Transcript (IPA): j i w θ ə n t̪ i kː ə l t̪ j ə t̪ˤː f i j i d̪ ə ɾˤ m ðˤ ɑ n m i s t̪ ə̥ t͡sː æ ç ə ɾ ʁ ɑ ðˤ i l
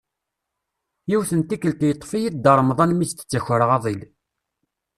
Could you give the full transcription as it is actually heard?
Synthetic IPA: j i w θ ə n t̪ i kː ə l t̪ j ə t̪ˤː f i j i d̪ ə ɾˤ m ðˤ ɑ n m i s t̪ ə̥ t͡sː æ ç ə ɾ ʁ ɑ ðˤ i l